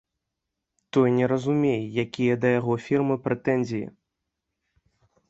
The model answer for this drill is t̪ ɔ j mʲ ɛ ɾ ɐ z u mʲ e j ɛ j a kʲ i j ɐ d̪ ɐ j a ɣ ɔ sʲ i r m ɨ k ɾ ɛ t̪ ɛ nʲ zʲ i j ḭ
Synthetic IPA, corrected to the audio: t̪ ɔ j nʲ ɛ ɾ ɐ z u mʲ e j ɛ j a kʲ i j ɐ d̪ ɐ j a ɣ ɔ fʲ i r m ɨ p ɾ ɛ t̪ ɛ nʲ zʲ i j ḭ